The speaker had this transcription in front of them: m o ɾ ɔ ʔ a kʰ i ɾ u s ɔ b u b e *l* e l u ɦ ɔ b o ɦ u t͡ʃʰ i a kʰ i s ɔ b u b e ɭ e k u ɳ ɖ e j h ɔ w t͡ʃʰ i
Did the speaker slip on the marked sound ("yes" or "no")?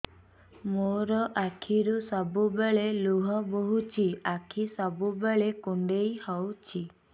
yes